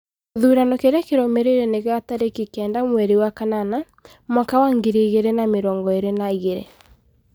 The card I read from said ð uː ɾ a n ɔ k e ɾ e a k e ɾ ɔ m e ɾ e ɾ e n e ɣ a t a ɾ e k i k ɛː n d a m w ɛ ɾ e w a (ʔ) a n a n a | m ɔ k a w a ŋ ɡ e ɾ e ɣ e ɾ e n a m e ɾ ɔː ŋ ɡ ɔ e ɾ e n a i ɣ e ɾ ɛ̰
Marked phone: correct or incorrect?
incorrect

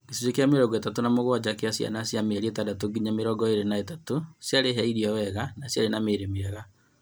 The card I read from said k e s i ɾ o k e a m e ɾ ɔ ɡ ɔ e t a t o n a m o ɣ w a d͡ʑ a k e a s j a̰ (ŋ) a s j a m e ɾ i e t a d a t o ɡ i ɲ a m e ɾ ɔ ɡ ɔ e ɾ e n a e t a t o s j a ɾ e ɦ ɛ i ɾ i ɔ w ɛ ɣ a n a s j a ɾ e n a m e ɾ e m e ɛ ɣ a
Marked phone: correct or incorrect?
incorrect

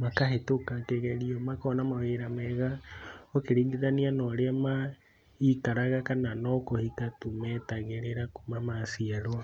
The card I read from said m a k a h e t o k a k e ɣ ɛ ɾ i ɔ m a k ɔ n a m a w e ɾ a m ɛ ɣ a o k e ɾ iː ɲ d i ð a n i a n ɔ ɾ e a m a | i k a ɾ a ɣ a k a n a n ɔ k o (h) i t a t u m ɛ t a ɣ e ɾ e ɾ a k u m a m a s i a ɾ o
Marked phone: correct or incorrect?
correct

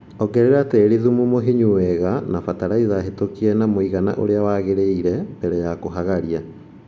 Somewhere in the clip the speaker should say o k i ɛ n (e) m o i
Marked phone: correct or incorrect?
incorrect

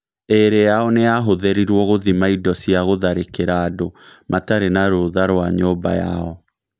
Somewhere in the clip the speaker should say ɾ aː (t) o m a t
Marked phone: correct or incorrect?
incorrect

